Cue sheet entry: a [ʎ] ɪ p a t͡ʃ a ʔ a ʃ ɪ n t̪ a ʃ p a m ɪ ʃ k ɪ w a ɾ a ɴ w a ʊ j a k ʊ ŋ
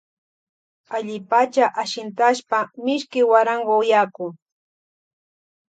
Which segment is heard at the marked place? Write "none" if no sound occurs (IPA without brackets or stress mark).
ʎ